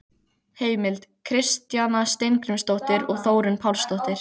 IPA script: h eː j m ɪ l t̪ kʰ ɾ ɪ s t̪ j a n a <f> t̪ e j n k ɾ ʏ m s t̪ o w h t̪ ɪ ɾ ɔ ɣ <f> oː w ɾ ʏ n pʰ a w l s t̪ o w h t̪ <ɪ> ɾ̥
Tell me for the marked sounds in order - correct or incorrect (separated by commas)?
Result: incorrect, incorrect, correct